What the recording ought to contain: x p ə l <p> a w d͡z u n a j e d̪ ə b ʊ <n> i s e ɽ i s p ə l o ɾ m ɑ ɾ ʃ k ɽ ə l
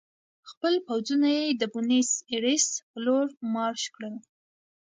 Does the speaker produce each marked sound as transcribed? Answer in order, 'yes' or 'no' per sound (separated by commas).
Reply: yes, yes